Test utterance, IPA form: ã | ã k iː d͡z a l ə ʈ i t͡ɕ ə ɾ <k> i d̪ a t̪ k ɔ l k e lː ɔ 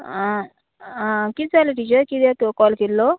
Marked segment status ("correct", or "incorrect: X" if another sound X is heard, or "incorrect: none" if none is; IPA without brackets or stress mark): correct